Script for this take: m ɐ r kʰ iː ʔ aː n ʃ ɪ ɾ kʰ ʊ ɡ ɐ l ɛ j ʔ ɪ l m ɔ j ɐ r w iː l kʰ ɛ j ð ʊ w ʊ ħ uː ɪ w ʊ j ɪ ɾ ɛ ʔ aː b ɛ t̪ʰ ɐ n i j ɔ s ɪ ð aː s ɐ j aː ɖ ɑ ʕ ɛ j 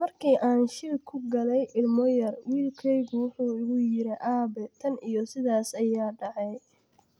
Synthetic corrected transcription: m ɐ r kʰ iː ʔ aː n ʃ ɪ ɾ kʰ ʊ ɡ ɐ l ɛ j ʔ ɪ l m ɔ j ɐ r w iː l kʰ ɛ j ɣ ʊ w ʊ ħ uː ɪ ɣ ʊ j ɪ ɾ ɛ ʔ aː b ɛ t̪ʰ ɐ n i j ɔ s ɪ ð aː s ɐ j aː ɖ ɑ ʕ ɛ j